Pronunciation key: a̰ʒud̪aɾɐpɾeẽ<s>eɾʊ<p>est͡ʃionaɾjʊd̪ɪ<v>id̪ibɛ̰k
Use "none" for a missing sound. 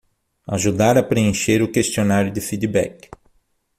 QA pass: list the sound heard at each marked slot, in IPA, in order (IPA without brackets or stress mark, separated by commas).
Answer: ʃ, k, f